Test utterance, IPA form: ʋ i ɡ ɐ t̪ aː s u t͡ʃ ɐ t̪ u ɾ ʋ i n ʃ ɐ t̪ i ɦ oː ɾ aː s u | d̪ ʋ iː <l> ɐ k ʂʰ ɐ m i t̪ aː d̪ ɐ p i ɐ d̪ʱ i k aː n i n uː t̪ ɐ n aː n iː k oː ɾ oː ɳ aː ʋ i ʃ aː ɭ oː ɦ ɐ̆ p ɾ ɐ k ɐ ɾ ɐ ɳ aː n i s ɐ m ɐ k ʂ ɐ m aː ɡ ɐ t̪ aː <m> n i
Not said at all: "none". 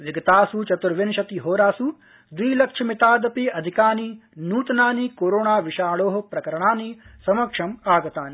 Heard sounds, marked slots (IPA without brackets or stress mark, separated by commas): l, none